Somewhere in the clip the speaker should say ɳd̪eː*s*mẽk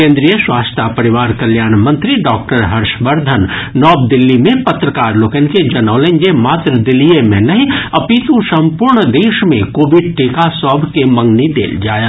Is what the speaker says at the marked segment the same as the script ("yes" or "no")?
no